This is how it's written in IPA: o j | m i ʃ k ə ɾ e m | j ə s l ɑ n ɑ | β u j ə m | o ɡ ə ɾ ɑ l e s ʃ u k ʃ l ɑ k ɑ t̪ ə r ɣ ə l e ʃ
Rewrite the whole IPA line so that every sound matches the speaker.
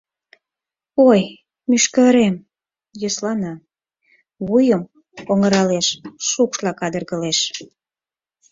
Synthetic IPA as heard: o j | m y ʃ k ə ɾ e m | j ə s l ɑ n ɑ | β u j ə m | o ŋ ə ɾ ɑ l e ʃ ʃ u k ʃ l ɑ k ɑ d̪ ə r ɣ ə l e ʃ